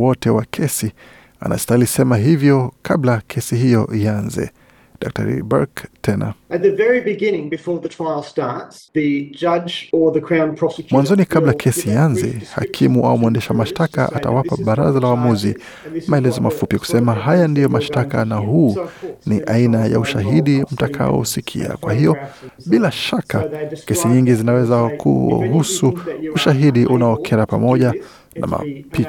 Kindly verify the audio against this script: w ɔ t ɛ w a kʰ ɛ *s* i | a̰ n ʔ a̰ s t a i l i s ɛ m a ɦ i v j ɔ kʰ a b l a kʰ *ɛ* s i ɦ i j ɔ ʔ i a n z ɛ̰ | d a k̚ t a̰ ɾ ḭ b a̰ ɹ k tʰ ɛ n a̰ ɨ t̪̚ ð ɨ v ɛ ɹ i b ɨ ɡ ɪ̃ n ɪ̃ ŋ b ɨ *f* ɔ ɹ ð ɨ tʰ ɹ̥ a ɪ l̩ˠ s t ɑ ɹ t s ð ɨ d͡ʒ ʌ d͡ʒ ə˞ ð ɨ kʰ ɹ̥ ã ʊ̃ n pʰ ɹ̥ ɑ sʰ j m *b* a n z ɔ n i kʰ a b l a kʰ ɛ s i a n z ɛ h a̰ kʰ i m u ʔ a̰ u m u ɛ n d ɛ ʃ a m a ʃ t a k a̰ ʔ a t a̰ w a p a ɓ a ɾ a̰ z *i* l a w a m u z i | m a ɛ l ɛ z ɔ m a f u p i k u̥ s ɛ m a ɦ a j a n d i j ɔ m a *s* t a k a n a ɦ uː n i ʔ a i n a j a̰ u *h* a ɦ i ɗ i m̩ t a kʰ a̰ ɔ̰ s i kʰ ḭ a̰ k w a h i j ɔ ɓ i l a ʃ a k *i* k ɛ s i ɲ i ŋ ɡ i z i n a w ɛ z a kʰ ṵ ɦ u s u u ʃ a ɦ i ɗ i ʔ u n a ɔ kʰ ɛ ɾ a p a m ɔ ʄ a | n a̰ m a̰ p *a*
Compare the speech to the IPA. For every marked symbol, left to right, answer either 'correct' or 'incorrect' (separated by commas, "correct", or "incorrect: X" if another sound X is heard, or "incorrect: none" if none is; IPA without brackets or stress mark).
correct, correct, correct, incorrect: w, incorrect: a, incorrect: ʃ, incorrect: ʃ, incorrect: a, incorrect: i